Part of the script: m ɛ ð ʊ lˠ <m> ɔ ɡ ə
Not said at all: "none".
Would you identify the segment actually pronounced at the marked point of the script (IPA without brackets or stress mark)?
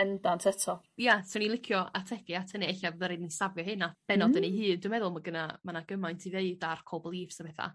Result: m